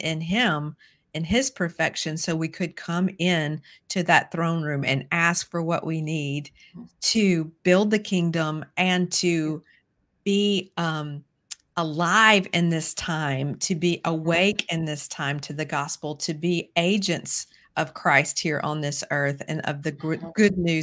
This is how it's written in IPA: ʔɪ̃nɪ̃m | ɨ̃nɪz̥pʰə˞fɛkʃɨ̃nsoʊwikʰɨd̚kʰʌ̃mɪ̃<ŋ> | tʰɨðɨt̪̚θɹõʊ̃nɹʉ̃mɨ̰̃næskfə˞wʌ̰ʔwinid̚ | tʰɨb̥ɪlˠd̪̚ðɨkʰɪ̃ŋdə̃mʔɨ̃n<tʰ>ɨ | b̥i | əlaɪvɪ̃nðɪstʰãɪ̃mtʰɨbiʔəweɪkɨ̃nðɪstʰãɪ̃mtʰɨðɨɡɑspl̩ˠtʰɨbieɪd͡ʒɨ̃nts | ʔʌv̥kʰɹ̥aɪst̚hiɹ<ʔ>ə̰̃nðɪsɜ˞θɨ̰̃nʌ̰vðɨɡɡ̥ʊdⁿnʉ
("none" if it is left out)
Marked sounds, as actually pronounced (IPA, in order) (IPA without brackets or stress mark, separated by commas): n, tʰ, ʔ